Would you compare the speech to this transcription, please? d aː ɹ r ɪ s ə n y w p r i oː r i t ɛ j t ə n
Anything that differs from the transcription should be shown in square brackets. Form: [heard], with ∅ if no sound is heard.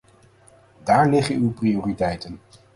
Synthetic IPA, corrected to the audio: d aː ɹ [l] ɪ [χ] ə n y w p r i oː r i t ɛ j t ə n